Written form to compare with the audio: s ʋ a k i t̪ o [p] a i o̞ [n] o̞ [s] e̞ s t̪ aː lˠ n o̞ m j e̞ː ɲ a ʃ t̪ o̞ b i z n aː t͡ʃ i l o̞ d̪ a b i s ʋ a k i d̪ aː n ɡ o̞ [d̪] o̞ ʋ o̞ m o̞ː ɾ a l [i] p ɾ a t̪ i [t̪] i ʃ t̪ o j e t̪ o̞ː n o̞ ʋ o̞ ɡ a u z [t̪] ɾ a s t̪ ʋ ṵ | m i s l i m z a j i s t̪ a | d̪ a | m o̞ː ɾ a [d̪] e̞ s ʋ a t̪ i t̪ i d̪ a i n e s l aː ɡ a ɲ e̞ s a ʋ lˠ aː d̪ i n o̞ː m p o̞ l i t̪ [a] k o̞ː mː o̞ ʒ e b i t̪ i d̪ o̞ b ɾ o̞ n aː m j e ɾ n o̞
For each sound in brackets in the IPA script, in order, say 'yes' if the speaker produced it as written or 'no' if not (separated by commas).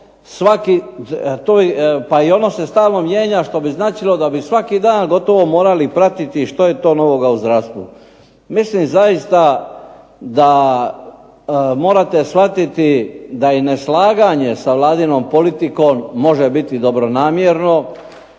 yes, yes, yes, no, yes, yes, no, no, no